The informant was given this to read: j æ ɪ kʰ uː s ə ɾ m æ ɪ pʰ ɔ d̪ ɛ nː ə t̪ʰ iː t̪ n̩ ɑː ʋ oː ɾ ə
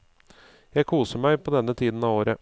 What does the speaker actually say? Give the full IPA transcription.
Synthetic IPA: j æ ɪ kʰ uː s ə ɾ m æ ɪ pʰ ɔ d̪ ɛ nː ə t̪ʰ iː d̪ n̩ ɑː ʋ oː ɾ ə